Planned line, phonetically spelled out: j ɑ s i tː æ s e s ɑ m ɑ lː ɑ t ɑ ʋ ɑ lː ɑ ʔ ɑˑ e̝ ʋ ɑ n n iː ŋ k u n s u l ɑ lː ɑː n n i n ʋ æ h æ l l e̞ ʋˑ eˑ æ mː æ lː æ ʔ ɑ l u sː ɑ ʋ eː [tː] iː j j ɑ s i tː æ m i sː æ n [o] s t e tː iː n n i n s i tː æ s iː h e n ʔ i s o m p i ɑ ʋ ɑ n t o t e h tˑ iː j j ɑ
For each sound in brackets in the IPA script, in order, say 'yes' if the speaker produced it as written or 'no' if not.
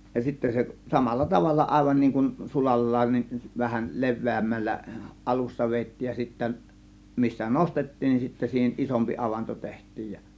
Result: yes, yes

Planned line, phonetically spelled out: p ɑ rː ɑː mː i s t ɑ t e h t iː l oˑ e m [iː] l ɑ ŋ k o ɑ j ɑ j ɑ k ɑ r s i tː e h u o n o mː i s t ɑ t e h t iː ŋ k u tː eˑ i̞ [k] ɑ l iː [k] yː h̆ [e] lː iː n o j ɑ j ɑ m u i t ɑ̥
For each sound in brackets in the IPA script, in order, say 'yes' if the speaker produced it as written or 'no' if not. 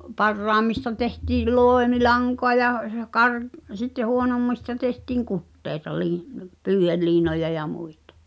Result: no, no, no, yes

